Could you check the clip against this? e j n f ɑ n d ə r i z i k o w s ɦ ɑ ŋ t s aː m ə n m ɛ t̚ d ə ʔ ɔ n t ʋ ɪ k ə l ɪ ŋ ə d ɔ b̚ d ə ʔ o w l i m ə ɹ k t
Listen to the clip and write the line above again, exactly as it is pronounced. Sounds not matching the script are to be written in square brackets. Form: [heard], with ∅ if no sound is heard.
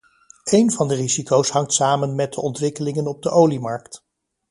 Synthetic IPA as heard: e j n [v] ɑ n d ə r i z i k o w s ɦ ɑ ŋ t s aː m ə n m ɛ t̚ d ə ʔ ɔ n t ʋ ɪ k ə l ɪ ŋ ə [n] ɔ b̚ d ə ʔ o w l i m [ɑ] ɹ k t